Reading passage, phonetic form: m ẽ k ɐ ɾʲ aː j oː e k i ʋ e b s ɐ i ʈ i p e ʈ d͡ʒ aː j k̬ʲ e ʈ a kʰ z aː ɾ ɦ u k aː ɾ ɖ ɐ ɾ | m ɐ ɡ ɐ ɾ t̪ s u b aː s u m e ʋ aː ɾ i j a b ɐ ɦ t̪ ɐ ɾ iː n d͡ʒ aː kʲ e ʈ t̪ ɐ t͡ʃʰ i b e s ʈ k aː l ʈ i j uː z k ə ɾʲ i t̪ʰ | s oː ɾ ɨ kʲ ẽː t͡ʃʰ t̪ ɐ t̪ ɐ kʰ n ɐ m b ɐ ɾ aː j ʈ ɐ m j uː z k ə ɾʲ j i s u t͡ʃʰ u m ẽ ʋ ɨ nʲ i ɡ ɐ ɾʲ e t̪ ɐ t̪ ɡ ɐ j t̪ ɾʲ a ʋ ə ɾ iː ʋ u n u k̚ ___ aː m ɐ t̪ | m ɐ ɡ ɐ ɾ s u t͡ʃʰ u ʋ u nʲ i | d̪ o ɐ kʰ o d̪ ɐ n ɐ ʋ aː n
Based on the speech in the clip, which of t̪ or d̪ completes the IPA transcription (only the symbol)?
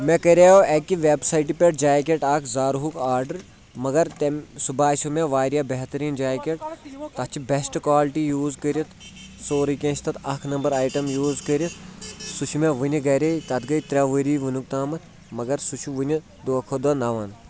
t̪